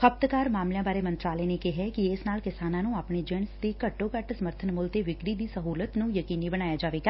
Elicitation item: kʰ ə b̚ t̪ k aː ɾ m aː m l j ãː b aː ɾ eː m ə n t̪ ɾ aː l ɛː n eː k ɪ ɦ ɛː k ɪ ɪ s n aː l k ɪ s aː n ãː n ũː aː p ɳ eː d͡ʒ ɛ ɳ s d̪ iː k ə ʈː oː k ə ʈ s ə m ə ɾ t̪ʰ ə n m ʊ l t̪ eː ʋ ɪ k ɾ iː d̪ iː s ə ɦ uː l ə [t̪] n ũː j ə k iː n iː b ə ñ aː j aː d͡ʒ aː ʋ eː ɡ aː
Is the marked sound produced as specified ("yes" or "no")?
yes